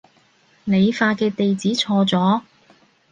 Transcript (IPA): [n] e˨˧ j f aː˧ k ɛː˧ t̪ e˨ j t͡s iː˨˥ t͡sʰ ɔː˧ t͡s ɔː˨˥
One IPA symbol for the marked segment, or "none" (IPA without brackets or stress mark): n